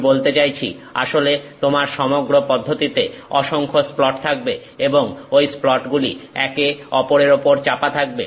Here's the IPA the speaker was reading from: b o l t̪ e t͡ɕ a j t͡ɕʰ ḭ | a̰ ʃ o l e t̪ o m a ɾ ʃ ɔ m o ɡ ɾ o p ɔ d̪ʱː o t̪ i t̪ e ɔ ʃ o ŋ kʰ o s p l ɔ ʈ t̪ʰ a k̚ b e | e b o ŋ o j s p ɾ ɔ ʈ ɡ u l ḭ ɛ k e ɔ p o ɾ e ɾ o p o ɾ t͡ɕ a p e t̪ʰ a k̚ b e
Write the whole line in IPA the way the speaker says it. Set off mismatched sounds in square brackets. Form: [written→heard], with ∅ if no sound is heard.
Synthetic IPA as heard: b o l t̪ e t͡ɕ a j t͡ɕʰ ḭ | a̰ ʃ o l e t̪ o m a ɾ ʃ ɔ m o ɡ ɾ o p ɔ d̪ʱː o t̪ i t̪ e ɔ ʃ o ŋ kʰ o s p l ɔ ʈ t̪ʰ a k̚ b e | e b o ŋ o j s p [ɾ→l] ɔ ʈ ɡ u l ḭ ɛ k e ɔ p o ɾ e ɾ o p o ɾ t͡ɕ a p [e→a] t̪ʰ a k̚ b e